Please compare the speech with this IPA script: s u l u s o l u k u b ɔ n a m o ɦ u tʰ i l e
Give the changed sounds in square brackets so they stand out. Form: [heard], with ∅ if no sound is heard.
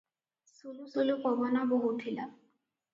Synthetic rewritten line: s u l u s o l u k [ɔ] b ɔ n a [b] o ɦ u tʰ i l [a]